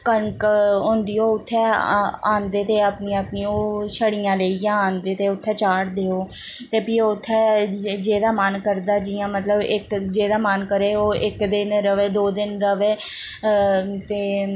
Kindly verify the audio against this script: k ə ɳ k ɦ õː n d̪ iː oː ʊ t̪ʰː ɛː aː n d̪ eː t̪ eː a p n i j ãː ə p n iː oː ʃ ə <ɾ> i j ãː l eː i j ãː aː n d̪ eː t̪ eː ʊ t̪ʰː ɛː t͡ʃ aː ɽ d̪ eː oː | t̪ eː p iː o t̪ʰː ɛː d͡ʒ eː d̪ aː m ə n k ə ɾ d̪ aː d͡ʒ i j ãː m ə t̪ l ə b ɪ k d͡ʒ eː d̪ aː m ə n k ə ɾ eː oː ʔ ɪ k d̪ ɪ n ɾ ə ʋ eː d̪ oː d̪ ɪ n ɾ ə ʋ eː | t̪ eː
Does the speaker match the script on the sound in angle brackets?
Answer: no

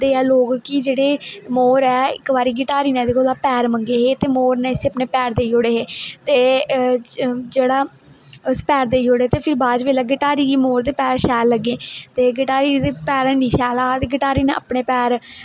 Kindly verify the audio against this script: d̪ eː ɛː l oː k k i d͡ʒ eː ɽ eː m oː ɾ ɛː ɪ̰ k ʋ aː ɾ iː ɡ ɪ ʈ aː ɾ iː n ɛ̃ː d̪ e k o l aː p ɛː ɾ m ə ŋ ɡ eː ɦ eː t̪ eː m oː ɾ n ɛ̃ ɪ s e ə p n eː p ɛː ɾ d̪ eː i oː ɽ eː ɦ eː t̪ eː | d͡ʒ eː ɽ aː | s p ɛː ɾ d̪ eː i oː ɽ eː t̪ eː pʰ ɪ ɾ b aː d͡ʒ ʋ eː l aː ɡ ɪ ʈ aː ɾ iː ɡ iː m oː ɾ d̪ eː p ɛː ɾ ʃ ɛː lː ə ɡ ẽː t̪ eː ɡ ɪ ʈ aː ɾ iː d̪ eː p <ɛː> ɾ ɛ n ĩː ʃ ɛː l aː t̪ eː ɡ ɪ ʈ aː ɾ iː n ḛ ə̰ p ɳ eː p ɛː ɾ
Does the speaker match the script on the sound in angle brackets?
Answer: yes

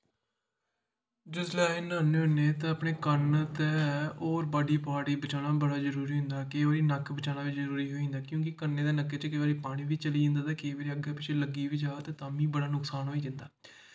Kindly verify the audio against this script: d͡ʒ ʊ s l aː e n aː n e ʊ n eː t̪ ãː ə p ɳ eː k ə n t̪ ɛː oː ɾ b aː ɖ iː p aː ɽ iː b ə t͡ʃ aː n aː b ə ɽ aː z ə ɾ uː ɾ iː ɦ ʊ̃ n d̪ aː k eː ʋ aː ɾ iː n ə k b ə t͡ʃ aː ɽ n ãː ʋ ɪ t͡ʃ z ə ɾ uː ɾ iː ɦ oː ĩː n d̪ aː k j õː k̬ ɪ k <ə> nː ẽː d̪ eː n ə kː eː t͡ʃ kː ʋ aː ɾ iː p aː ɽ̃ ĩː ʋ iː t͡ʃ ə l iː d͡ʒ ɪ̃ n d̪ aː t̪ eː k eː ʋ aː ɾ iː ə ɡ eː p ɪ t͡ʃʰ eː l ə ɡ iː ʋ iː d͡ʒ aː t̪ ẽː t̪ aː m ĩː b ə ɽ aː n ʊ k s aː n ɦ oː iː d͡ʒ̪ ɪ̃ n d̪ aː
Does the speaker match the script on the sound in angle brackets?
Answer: yes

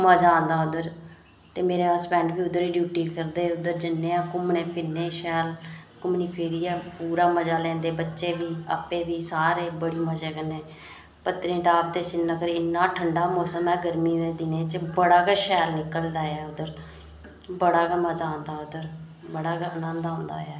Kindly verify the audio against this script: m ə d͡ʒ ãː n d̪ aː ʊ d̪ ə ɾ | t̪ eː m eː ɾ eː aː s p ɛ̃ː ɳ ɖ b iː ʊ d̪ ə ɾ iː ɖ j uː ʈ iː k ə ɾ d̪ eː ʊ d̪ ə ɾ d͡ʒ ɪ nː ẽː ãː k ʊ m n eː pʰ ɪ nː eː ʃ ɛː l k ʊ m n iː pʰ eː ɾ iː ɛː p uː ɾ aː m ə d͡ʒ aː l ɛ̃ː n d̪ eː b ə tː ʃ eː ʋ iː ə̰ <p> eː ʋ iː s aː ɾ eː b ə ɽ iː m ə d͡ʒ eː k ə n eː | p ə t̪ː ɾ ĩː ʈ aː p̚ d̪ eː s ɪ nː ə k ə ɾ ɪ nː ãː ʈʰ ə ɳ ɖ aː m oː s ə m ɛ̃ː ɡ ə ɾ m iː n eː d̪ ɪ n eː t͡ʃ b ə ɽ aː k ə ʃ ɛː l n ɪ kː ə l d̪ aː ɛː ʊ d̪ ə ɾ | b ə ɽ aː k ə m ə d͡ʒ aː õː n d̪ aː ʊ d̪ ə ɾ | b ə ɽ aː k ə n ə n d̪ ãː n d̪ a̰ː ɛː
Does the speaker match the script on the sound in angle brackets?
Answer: yes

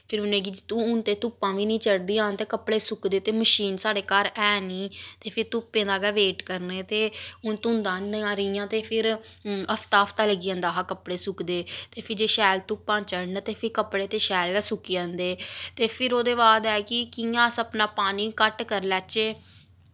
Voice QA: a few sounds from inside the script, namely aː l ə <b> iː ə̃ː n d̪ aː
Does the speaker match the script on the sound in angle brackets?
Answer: no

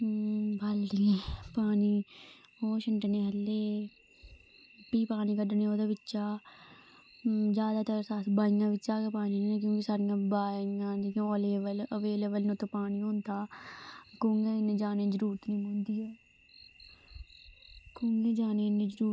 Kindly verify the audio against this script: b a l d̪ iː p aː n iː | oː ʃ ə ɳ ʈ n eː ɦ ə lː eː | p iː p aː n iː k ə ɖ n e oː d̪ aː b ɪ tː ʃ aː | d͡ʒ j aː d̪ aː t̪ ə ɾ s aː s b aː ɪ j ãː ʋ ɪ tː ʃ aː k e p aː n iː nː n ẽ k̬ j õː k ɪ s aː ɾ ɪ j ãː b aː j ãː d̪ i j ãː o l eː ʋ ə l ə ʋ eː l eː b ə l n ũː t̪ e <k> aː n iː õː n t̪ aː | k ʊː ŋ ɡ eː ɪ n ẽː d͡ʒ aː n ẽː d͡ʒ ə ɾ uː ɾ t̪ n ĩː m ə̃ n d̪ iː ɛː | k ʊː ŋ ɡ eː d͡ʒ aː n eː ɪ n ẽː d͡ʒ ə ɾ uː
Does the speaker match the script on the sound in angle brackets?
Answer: no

